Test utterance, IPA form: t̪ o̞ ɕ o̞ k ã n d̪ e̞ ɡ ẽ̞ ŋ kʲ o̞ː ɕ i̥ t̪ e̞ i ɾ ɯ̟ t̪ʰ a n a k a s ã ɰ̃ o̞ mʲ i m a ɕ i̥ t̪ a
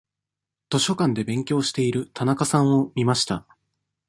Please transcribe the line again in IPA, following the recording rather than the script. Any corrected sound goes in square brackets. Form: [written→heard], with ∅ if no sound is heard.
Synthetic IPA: t̪ o̞ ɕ o̞ k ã n d̪ e̞ [ɡ→b] ẽ̞ ŋ kʲ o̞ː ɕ i̥ t̪ e̞ i ɾ ɯ̟ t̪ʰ a n a k a s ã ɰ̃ o̞ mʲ i m a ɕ i̥ t̪ a

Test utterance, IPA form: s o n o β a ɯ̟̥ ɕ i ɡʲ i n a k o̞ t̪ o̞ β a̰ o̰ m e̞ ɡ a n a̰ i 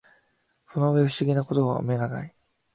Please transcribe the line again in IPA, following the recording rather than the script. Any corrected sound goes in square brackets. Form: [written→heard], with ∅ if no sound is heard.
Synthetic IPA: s o n o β [a→e] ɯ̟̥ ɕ i ɡʲ i n a k o̞ t̪ o̞ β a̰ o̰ m e̞ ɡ a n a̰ i

